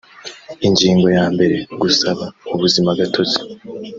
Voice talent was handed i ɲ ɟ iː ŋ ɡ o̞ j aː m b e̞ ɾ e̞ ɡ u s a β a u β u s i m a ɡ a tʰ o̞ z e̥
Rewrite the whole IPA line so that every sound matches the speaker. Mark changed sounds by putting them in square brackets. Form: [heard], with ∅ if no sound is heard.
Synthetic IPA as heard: i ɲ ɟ iː ŋ ɡ o̞ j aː m b e̞ ɾ e̞ ɡ u s a β a u β u [z] i m a ɡ a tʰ o̞ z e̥